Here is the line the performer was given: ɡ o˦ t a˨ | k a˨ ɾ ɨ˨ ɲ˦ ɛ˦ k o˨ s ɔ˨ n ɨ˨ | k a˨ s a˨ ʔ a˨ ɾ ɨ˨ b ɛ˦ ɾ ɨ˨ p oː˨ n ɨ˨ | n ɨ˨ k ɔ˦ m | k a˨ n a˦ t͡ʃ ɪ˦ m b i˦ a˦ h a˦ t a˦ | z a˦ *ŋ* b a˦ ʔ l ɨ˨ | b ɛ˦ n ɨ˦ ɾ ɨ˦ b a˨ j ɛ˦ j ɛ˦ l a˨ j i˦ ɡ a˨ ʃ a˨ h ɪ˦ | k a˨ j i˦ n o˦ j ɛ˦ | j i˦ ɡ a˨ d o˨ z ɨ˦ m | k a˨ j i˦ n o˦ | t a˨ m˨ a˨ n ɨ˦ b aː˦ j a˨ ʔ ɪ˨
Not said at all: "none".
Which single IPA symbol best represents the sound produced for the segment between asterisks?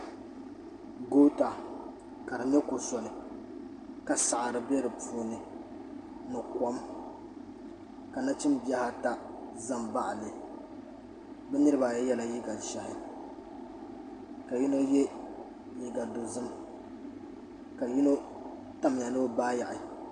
m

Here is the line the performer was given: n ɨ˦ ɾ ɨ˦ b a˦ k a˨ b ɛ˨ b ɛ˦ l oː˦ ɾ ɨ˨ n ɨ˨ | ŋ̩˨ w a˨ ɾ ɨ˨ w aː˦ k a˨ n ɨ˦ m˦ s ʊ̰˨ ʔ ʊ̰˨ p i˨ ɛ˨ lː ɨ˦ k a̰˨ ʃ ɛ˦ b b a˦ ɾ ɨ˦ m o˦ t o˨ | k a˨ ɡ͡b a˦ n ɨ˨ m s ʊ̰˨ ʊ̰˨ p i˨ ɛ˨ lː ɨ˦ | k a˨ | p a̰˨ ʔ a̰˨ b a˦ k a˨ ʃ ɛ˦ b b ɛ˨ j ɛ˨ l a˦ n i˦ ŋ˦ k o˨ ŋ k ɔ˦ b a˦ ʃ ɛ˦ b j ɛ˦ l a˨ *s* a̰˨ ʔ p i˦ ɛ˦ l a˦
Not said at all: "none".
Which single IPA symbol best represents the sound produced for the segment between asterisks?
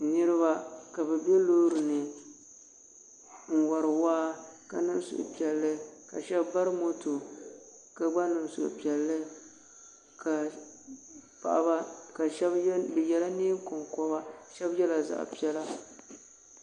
z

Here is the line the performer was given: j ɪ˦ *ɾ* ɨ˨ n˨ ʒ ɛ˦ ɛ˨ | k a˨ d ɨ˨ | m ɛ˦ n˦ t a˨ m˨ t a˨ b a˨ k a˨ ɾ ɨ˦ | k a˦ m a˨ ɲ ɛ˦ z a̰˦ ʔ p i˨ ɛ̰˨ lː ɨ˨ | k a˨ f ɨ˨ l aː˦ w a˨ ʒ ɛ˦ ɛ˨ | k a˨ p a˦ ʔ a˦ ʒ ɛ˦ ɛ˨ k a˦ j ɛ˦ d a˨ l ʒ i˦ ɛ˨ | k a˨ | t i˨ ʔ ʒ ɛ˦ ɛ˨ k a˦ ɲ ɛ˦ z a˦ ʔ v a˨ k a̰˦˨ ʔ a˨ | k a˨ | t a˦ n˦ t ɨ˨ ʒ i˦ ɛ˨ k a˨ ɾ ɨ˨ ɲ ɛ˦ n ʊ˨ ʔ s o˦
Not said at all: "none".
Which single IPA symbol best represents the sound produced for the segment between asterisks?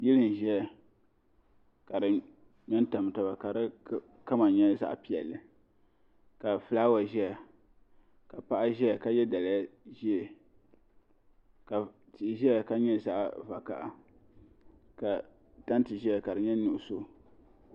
l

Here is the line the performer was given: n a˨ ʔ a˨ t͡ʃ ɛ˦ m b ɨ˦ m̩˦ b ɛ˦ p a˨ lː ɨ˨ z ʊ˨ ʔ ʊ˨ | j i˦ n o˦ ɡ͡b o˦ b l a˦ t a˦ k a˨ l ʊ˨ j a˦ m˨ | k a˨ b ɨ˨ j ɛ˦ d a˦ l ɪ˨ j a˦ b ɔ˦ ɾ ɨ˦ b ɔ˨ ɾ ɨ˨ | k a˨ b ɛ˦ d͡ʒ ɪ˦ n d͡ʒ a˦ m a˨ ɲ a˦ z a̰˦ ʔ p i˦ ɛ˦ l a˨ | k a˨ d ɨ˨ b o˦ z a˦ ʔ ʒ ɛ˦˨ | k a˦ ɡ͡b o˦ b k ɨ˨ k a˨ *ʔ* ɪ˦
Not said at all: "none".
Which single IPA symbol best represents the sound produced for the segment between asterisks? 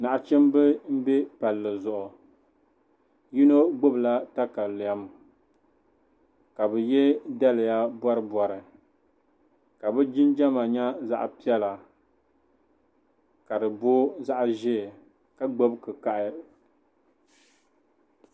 ʔ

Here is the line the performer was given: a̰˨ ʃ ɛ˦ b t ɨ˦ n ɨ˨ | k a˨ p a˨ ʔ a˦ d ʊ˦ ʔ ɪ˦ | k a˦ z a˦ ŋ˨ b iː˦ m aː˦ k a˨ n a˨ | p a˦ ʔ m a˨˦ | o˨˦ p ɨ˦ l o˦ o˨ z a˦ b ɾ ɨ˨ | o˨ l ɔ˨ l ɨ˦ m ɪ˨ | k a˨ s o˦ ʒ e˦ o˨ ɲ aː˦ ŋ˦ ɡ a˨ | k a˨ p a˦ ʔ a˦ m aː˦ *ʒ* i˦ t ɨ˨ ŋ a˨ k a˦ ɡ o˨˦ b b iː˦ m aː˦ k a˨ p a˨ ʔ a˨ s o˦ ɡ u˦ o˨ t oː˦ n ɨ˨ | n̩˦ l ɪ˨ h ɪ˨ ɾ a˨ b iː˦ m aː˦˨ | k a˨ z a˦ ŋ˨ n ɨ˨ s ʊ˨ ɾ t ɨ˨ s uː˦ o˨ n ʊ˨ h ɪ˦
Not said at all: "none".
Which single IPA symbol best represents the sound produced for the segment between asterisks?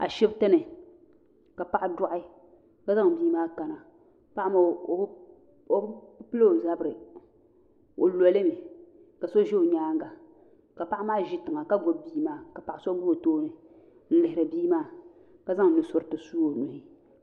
ʒ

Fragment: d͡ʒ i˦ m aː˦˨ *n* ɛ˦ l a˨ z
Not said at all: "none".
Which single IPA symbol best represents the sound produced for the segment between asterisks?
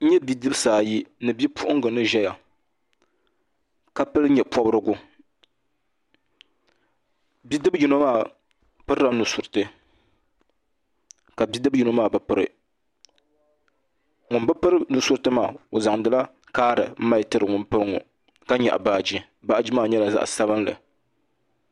ɲ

